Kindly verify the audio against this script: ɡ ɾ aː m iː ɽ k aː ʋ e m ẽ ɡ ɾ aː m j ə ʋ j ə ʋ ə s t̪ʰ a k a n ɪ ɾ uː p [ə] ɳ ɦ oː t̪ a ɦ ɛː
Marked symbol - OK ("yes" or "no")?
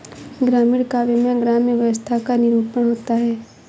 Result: yes